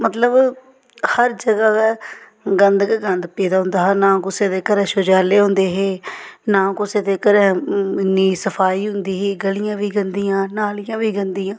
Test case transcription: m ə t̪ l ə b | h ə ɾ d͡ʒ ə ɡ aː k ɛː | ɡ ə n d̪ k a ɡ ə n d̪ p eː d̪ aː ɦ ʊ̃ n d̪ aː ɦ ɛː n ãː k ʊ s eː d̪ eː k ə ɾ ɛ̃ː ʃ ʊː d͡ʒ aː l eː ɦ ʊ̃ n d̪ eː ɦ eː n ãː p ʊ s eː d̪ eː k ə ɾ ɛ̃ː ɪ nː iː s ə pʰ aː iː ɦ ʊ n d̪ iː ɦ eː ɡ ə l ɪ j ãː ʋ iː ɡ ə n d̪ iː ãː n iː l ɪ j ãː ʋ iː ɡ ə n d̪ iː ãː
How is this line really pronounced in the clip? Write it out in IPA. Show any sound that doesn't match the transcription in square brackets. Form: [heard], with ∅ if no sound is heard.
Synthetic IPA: m ə t̪ l ə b | h ə ɾ d͡ʒ ə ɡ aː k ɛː | ɡ ə n d̪ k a ɡ ə n d̪ p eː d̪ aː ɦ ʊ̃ n d̪ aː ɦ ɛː n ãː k ʊ s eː d̪ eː k ə ɾ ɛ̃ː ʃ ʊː d͡ʒ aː l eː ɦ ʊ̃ n d̪ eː ɦ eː n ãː [k] ʊ s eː d̪ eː k ə ɾ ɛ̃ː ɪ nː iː s ə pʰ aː iː ɦ ʊ n d̪ iː ɦ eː ɡ ə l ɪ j ãː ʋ iː ɡ ə n d̪ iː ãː n [aː] l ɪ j ãː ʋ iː ɡ ə n d̪ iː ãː